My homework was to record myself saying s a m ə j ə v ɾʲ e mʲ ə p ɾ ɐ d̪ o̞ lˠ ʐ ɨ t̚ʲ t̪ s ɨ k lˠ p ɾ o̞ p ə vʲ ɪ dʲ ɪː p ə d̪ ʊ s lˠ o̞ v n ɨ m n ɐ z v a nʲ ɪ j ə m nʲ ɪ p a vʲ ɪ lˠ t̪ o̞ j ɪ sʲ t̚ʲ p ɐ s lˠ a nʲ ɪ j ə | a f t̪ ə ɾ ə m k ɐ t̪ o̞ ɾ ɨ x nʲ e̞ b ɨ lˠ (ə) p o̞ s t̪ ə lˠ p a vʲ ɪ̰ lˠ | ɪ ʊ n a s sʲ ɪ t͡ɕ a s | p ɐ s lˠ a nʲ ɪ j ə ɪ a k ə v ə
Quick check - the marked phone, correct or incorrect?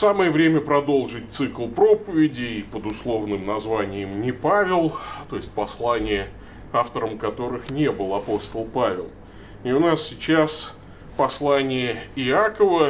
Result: incorrect